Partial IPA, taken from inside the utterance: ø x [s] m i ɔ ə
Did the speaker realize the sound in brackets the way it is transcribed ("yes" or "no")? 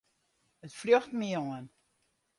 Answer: no